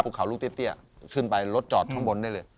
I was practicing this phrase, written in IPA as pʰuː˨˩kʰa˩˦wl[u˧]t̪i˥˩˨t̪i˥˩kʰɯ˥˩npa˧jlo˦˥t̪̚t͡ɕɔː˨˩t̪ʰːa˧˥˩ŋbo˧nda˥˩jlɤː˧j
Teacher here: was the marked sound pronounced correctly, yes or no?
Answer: no